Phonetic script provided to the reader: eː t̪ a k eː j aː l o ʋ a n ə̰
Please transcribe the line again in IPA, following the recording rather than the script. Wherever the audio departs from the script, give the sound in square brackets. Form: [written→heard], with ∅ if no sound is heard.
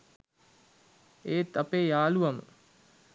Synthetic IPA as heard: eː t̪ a [k→p] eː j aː l [o→u] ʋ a [n→m] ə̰